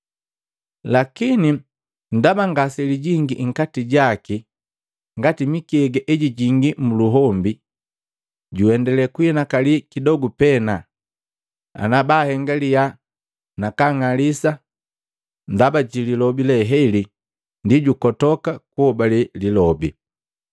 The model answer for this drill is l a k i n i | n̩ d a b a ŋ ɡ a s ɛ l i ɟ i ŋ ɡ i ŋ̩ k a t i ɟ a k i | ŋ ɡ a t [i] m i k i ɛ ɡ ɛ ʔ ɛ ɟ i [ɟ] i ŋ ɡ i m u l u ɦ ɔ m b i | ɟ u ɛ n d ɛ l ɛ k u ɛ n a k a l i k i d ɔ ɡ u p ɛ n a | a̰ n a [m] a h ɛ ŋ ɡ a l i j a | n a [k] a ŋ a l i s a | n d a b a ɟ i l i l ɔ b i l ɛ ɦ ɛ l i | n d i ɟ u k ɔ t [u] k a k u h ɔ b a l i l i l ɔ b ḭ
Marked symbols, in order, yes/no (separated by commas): yes, yes, no, yes, no